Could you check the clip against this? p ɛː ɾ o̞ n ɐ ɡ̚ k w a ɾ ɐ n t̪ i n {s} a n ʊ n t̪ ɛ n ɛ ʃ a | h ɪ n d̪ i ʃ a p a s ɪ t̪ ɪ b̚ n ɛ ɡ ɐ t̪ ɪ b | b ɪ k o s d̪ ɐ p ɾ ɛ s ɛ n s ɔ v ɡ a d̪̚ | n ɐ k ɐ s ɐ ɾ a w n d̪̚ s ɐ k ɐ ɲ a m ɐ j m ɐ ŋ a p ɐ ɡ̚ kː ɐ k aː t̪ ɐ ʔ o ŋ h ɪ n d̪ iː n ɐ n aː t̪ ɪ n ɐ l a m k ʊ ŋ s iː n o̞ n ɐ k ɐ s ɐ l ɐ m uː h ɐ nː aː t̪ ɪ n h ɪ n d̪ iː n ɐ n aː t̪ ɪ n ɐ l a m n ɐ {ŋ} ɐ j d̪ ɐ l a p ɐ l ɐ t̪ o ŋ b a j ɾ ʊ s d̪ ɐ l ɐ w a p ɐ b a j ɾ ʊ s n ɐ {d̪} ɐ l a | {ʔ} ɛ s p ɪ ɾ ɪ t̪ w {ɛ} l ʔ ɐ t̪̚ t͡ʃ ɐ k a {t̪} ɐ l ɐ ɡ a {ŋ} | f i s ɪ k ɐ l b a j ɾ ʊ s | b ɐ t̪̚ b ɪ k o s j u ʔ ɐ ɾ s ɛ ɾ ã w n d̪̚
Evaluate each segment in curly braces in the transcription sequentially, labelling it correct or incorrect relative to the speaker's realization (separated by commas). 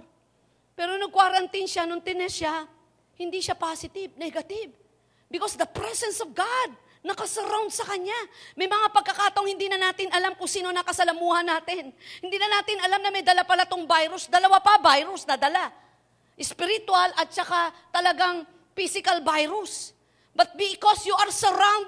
incorrect, incorrect, correct, correct, incorrect, correct, correct